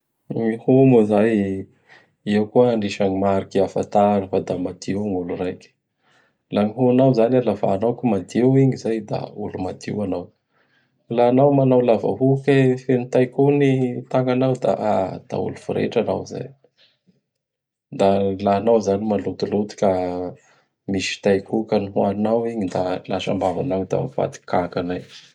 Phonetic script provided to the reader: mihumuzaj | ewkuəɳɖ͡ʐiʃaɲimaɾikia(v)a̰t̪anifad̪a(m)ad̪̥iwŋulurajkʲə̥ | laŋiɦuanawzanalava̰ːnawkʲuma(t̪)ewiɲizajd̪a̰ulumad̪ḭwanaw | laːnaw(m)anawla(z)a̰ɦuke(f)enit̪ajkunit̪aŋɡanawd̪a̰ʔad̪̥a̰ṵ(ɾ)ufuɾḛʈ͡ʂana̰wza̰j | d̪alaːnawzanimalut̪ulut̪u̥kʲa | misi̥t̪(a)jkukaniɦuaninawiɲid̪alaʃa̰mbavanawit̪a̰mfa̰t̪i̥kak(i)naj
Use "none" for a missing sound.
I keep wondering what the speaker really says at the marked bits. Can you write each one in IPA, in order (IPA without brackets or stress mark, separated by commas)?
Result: f, m, d̪, m, v, f, l, a, a